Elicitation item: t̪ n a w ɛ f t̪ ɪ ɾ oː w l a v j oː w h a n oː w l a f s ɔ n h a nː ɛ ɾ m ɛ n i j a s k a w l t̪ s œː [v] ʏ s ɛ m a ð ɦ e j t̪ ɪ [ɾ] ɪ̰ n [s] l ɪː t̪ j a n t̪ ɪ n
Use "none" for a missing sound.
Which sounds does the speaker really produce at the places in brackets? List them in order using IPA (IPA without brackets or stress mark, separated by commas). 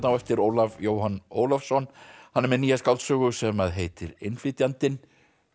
ɣ, ɾ, f